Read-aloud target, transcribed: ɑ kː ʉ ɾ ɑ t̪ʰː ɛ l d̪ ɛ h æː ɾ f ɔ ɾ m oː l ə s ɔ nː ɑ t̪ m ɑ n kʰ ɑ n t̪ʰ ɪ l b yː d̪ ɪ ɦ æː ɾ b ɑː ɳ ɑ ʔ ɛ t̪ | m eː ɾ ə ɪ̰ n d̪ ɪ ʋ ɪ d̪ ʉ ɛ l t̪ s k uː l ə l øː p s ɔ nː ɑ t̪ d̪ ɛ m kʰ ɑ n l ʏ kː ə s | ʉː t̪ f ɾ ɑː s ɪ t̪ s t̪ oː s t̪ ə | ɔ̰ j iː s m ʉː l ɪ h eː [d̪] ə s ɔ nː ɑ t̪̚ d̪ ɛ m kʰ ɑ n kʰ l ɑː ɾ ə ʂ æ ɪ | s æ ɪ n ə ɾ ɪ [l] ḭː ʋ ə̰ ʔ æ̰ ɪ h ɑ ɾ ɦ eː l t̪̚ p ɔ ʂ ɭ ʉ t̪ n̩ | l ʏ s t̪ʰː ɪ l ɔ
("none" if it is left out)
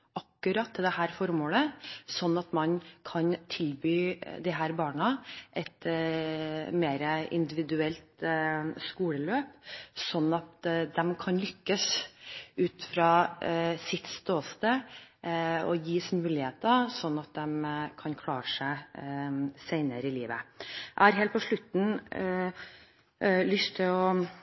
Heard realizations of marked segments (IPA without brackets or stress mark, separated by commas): t̪, l